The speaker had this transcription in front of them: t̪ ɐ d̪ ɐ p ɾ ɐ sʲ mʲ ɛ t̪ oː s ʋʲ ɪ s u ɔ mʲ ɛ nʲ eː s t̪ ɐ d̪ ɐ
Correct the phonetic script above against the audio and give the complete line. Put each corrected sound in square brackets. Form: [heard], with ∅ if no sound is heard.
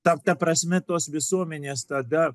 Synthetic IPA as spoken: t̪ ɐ [t̪] ɐ p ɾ ɐ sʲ mʲ ɛ t̪ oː s ʋʲ ɪ s u ɔ mʲ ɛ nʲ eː s t̪ ɐ d̪ ɐ

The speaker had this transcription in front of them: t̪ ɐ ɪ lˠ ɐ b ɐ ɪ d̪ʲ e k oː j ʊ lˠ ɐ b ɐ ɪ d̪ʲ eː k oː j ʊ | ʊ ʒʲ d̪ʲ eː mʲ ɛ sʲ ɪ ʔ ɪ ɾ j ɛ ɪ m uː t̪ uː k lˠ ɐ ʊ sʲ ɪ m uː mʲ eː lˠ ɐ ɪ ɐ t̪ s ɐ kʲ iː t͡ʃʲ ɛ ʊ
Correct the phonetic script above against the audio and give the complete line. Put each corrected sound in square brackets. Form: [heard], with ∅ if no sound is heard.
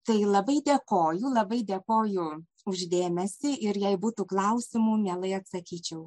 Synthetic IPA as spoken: t̪ ɐ ɪ lˠ ɐ b ɐ ɪ d̪ʲ e k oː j ʊ lˠ ɐ b ɐ ɪ d̪ʲ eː k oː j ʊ | ʊ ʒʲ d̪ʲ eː mʲ ɛ sʲ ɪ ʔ ɪ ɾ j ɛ ɪ [b] uː t̪ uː k lˠ ɐ ʊ sʲ ɪ m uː mʲ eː lˠ ɐ ɪ ɐ t̪ s ɐ kʲ iː t͡ʃʲ ɛ ʊ

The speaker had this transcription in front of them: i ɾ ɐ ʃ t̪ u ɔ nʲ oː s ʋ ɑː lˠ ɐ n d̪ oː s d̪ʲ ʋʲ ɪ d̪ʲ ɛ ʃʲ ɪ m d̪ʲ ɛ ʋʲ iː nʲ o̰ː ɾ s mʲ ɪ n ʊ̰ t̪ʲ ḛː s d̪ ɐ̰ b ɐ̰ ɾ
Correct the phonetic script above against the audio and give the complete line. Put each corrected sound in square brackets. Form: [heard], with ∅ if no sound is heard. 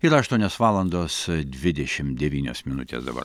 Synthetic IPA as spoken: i ɾ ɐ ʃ t̪ u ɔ nʲ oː s ʋ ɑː lˠ ɐ n d̪ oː s d̪ʲ ʋʲ ɪ d̪ʲ ɛ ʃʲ ɪ m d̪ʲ ɛ ʋʲ iː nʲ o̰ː [∅] s mʲ ɪ n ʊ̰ t̪ʲ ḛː s d̪ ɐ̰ b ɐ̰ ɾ

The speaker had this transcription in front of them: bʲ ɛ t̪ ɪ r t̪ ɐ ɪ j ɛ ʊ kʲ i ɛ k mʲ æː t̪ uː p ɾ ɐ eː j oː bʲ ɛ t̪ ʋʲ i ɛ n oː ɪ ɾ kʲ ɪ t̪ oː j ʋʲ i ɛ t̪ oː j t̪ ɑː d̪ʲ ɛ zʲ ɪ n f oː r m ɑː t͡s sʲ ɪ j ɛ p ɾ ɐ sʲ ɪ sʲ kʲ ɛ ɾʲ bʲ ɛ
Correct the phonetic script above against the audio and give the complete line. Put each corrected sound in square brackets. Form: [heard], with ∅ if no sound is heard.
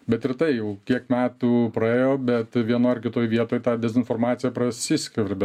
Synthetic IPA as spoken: bʲ ɛ t̪ ɪ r t̪ ɐ ɪ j ɛ ʊ kʲ i ɛ k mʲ æː t̪ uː p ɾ ɐ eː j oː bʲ ɛ t̪ ʋʲ i ɛ n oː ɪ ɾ kʲ ɪ t̪ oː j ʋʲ i ɛ t̪ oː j t̪ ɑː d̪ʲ ɛ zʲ ɪ n f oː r m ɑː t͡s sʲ ɪ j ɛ p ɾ ɐ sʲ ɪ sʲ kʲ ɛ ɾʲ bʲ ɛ

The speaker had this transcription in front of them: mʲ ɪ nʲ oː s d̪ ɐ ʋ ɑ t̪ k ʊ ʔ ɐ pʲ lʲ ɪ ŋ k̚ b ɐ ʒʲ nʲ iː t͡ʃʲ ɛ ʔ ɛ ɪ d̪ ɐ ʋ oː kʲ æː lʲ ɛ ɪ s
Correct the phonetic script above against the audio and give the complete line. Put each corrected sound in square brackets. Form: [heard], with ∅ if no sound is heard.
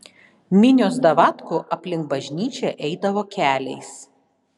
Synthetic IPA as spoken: mʲ ɪ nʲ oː s d̪ ɐ ʋ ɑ t̪ k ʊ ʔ ɐ pʲ lʲ ɪ ŋ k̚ b ɐ ʒʲ nʲ iː t͡ʃʲ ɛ ʔ ɛ ɪ d̪ ɐ ʋ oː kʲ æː lʲ ɛ ɪ s

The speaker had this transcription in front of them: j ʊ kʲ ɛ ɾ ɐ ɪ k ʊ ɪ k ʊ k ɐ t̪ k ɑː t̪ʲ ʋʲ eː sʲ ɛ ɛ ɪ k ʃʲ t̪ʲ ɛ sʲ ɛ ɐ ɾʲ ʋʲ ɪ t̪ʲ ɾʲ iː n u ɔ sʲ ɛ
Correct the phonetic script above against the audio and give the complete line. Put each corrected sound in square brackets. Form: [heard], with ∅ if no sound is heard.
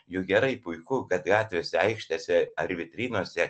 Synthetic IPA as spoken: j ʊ [ɡʲ] ɛ ɾ ɐ ɪ [p] ʊ ɪ k ʊ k ɐ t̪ [ɡ] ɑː t̪ʲ ʋʲ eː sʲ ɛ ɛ ɪ k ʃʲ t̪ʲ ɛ sʲ ɛ ɐ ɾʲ ʋʲ ɪ t̪ʲ ɾʲ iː n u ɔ sʲ ɛ

